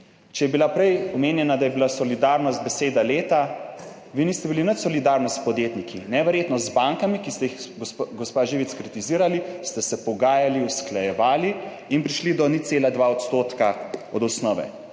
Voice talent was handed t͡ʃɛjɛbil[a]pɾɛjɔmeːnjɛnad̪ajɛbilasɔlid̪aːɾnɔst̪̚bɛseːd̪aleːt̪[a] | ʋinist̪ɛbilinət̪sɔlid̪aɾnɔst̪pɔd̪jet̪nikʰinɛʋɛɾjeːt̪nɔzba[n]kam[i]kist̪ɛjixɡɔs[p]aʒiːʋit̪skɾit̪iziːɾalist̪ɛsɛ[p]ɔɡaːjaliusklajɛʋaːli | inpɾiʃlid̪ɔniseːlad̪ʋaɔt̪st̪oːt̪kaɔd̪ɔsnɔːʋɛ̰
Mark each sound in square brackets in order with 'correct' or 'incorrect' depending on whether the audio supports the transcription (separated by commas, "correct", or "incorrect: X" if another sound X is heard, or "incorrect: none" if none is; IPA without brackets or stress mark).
correct, correct, incorrect: ŋ, correct, correct, correct